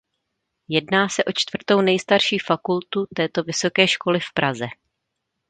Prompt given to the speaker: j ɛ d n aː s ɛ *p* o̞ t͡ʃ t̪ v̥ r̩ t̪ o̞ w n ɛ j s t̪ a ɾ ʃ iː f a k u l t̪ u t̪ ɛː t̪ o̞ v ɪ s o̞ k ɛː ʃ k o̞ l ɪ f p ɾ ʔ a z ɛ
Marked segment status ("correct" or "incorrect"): incorrect